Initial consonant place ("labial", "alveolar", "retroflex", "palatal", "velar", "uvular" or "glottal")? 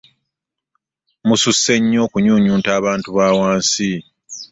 labial